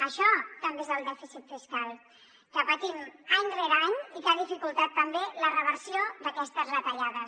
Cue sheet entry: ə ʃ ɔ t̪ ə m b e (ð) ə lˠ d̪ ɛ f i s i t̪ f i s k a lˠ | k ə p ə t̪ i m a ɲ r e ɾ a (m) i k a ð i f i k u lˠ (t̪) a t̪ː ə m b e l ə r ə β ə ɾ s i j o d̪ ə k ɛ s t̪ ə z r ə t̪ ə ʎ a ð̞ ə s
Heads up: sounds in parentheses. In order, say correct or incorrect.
incorrect: z, incorrect: ɲ, correct

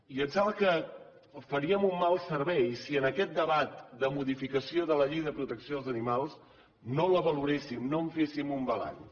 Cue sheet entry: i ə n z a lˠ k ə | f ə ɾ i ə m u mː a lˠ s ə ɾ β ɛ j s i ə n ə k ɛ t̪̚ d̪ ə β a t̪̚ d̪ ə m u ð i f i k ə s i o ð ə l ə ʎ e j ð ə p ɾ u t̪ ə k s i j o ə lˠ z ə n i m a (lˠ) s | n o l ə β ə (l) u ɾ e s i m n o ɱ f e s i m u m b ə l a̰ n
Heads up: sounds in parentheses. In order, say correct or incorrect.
correct, correct

